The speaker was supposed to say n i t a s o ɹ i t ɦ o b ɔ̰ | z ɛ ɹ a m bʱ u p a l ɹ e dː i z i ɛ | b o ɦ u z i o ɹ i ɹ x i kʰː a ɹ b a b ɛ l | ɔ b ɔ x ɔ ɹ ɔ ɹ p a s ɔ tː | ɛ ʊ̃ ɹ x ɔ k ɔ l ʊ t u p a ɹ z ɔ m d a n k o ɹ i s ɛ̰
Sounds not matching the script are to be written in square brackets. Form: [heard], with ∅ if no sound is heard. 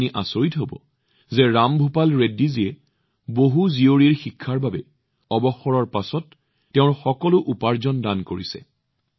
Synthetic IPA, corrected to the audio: n i [ʔ] a s o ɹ i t ɦ o b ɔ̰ | z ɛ ɹ a m bʱ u p a l ɹ e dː i z i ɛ | b o ɦ u z i o ɹ i ɹ x i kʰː a ɹ b a b ɛ [∅] | ɔ b ɔ x ɔ ɹ ɔ ɹ p a s ɔ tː | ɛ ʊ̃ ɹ x ɔ k ɔ l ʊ [ʔ] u p a ɹ z ɔ [n] d a n k o ɹ i s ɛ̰